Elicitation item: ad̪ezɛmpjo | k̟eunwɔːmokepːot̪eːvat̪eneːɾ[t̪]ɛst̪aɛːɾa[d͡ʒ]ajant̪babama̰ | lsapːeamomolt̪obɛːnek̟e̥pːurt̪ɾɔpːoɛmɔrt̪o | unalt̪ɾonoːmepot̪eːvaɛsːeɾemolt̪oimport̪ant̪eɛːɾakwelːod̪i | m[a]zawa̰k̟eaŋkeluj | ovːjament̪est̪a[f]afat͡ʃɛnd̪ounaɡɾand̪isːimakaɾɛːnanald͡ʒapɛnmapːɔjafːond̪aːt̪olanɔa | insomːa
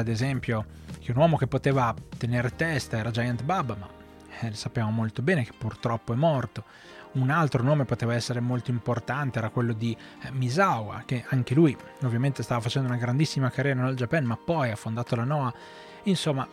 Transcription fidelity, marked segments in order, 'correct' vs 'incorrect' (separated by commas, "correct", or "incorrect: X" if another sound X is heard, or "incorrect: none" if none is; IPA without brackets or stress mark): correct, correct, incorrect: i, incorrect: v